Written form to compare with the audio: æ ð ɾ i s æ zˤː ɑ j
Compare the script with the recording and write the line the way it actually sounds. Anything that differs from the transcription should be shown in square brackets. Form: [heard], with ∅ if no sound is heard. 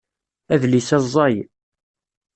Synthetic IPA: æ ð [l] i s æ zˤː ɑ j